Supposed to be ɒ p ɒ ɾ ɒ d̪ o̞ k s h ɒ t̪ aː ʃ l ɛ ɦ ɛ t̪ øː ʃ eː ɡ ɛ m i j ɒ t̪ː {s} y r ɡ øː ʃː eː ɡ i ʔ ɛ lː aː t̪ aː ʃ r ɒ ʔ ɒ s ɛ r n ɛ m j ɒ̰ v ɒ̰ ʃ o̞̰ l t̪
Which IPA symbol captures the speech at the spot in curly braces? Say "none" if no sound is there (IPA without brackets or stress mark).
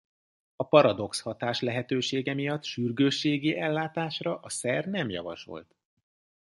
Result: ʃ